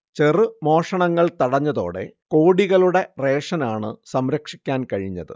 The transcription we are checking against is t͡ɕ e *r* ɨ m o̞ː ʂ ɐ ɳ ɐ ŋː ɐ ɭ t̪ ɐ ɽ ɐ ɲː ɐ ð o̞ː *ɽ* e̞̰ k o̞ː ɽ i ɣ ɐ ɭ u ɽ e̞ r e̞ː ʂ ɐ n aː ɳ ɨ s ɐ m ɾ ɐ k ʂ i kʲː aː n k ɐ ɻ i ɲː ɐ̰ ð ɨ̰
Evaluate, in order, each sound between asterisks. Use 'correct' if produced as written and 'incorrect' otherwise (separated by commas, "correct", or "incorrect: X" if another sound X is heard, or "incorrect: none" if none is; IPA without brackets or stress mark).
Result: correct, correct